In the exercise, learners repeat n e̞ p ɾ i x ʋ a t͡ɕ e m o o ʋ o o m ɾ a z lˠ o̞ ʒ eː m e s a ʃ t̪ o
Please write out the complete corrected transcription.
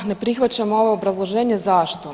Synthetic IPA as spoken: n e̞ p ɾ i x ʋ a t͡ɕ a m o o ʋ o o b ɾ a z lˠ o̞ ʒ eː ɲ e z a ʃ t̪ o